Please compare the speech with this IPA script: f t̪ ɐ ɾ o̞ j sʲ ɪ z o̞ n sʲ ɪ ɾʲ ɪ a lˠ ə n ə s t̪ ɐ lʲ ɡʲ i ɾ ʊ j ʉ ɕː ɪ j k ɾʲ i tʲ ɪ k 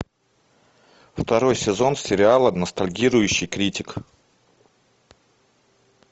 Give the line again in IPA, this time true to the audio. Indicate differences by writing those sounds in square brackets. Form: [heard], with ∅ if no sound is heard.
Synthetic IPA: f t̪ ɐ ɾ o̞ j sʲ ɪ z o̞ n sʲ ɪ ɾʲ ɪ a lˠ ə n ə s t̪ ɐ lʲ ɡʲ i ɾ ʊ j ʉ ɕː ɪ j k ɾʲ i tʲ ɪ k

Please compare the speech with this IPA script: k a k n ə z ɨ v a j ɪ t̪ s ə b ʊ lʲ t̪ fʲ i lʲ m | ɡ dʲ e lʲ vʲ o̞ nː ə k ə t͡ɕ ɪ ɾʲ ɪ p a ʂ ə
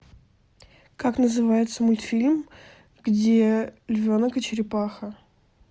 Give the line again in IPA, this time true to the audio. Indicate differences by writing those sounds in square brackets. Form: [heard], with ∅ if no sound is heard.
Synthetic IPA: k a k n ə z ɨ v a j ɪ t̪ s ə [m] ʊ lʲ t̪ fʲ i lʲ m | ɡ dʲ e lʲ vʲ o̞ [n] ə k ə t͡ɕ ɪ ɾʲ ɪ p a [x] ə

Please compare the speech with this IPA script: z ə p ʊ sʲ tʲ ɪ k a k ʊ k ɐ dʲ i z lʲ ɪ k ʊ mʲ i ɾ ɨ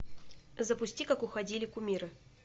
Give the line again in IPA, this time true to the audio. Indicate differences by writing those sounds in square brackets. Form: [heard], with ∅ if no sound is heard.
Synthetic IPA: z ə p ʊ sʲ tʲ [i] k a k ʊ [x] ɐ dʲ i [∅] lʲ ɪ k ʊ mʲ i ɾ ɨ

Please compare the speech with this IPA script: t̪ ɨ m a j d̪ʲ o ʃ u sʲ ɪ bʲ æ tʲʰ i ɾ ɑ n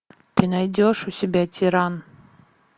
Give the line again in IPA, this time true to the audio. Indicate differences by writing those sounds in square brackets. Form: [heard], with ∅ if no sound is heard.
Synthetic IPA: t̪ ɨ [n] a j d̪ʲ o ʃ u sʲ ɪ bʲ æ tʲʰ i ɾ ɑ n

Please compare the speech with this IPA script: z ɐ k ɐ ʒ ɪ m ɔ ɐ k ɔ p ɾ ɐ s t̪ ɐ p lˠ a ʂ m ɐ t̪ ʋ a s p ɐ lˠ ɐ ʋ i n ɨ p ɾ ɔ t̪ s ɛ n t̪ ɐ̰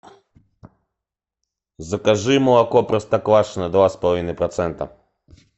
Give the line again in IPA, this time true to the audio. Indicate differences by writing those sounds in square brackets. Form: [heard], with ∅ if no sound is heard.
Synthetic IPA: z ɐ k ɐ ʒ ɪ m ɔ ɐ k ɔ p ɾ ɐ s t̪ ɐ [k] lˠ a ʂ [n] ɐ [d̪] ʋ a s p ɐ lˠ ɐ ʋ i n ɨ p ɾ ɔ t̪ s ɛ n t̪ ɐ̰

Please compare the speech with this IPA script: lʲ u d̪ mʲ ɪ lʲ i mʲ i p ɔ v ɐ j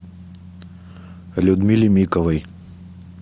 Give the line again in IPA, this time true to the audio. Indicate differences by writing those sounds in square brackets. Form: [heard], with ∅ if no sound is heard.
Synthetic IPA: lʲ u d̪ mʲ [i] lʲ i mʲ i [k] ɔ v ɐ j

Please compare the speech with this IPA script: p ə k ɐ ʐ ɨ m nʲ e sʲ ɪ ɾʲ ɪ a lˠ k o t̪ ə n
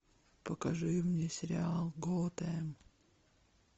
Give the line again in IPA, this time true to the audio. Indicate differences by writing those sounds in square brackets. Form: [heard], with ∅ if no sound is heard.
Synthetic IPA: p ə k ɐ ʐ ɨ m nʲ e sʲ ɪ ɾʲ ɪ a lˠ [ɡ] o t̪ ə [m]

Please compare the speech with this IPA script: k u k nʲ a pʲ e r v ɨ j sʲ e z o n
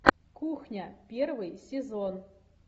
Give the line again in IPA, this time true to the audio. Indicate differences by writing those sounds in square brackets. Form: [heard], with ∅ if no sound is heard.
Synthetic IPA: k u [x] nʲ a pʲ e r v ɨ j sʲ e z o n

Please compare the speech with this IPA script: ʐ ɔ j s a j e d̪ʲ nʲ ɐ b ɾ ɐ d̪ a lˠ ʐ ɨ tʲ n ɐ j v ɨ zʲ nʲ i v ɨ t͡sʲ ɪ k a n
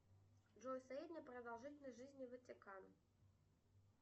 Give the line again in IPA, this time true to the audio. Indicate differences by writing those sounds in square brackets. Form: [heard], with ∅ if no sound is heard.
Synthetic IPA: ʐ ɔ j s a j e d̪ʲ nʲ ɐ [p] ɾ ɐ d̪ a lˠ ʐ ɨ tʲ n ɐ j [ʐ] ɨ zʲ nʲ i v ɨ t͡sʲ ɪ k a n

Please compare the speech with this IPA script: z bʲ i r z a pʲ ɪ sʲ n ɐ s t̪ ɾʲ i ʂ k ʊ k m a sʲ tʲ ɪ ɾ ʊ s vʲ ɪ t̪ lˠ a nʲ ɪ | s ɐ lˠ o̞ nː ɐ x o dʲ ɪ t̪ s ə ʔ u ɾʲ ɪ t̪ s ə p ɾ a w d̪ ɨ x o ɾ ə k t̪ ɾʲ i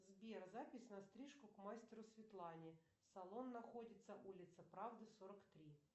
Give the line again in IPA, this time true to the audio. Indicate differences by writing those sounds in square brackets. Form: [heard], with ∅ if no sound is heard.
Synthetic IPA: z bʲ [e] r z a pʲ ɪ sʲ n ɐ s t̪ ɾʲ i ʂ k ʊ k m a sʲ tʲ ɪ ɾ ʊ s vʲ ɪ t̪ lˠ a nʲ ɪ | s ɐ lˠ o̞ nː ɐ x o dʲ ɪ t̪ s ə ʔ u [lʲ] ɪ t̪ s ə p ɾ a [v] d̪ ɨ [s] o ɾ ə k t̪ ɾʲ i

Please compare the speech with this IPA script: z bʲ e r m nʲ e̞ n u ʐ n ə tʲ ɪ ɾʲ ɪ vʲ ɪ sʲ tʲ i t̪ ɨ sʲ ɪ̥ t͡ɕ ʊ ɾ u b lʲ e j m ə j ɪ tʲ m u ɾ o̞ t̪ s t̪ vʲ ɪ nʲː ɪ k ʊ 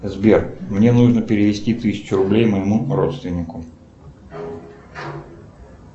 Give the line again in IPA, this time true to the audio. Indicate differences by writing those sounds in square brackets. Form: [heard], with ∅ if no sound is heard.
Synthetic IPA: z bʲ e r m nʲ e̞ n u ʐ n ə [pʲ] ɪ ɾʲ ɪ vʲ ɪ sʲ tʲ i t̪ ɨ sʲ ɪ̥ t͡ɕ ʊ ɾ [ʊ] b lʲ e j m ə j ɪ [∅] m u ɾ o̞ t̪ s t̪ vʲ ɪ nʲː ɪ k ʊ

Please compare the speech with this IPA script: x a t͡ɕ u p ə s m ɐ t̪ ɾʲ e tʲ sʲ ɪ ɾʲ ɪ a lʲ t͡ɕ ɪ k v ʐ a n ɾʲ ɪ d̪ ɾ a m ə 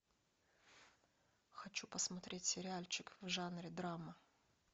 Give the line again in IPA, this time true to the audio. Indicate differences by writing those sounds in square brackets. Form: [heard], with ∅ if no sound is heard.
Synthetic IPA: x [ɐ] t͡ɕ u p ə s m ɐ t̪ ɾʲ e tʲ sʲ ɪ ɾʲ ɪ a lʲ t͡ɕ ɪ k v ʐ a n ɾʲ ɪ d̪ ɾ a m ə

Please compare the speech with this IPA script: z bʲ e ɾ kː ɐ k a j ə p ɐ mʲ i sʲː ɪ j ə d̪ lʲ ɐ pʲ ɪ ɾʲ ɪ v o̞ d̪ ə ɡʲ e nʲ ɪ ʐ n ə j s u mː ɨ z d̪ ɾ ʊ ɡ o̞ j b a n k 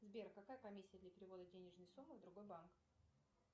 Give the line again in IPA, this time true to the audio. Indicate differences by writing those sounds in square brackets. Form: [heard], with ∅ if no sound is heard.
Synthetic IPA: z bʲ e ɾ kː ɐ k a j ə p ɐ mʲ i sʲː ɪ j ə d̪ lʲ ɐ pʲ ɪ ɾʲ ɪ v o̞ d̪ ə [dʲ] e nʲ ɪ ʐ n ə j s u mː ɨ [v] d̪ ɾ ʊ ɡ o̞ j b a n k

